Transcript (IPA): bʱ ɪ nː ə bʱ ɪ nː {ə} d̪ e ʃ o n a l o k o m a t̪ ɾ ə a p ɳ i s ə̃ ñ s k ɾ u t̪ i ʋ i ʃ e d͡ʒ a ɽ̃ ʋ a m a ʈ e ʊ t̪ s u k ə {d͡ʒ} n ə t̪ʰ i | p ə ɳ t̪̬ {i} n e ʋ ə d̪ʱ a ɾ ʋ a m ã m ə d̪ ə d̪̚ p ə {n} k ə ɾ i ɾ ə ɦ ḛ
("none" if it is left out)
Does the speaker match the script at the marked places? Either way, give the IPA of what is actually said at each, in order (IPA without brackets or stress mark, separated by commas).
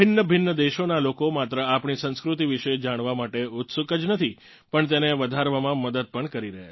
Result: ə, d͡ʒ, e, ɳ